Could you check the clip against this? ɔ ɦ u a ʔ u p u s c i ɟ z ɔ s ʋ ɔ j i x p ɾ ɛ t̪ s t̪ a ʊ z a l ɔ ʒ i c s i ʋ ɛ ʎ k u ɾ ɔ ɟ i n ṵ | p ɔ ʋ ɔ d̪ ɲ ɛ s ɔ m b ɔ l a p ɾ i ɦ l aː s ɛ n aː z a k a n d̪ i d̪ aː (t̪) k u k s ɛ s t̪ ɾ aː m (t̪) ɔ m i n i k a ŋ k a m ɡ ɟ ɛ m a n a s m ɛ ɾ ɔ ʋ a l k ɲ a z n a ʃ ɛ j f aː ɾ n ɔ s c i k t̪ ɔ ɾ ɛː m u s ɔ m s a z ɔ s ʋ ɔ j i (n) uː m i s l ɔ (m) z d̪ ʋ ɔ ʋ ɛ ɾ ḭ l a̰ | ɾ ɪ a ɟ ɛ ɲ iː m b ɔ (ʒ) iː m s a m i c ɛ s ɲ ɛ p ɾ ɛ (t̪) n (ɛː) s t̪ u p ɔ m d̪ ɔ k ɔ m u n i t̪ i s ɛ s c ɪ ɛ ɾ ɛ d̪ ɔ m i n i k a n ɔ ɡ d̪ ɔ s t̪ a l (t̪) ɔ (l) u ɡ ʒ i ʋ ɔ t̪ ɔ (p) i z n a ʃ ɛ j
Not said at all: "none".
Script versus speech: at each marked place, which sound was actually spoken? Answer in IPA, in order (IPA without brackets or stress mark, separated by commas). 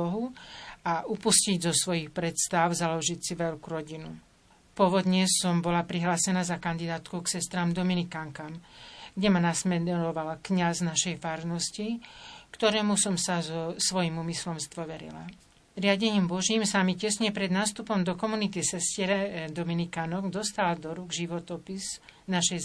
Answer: t̪, d̪, m, m, ʒ, d̪, aː, d̪, ɾ, p